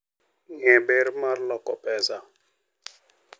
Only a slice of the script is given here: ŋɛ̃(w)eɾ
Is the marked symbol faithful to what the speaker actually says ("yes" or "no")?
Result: no